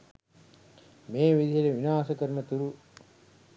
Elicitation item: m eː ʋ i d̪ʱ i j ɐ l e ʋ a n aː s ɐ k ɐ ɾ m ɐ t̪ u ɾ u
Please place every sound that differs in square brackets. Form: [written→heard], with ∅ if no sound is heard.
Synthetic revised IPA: m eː ʋ i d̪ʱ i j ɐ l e ʋ [a→i] n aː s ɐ k ɐ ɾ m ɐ t̪ u ɾ u